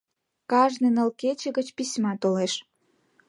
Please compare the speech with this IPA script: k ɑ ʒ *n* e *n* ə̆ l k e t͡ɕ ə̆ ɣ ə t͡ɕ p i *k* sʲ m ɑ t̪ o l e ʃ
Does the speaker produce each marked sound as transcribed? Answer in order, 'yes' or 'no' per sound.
yes, yes, no

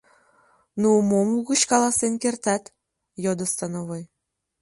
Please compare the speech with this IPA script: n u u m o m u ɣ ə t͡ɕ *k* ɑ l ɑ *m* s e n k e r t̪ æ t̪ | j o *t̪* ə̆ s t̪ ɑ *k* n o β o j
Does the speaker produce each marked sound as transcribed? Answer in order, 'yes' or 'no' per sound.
yes, no, no, no

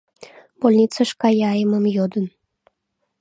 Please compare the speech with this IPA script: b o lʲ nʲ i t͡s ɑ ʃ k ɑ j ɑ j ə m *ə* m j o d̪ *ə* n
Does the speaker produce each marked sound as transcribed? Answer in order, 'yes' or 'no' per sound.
yes, yes

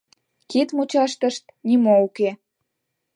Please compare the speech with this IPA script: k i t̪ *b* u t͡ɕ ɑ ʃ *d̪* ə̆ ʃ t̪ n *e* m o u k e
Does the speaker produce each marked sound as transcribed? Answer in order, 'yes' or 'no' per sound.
no, no, no

